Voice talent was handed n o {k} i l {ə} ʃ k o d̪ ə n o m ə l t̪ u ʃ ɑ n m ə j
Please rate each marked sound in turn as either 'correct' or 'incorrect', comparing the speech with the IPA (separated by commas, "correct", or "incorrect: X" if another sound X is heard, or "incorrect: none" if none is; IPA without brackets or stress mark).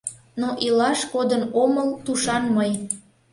incorrect: ʔ, incorrect: ɑ